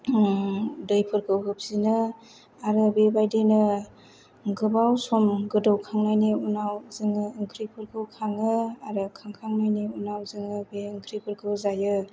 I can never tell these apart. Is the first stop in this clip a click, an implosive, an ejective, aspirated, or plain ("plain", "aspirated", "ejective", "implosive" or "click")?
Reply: plain